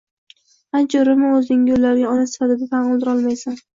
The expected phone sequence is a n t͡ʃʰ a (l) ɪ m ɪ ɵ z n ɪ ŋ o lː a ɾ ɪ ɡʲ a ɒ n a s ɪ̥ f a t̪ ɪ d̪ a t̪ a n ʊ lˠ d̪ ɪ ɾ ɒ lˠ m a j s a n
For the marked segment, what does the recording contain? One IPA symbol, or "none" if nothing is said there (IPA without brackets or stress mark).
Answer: ɾ